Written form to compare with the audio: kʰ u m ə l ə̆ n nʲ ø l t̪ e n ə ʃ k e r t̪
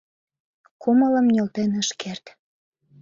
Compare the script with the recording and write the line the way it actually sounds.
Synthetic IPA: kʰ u m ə l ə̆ m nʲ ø l t̪ e n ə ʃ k e r t̪